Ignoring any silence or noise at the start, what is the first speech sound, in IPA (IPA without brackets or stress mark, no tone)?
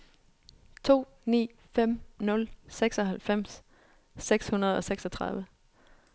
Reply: t͡sʰ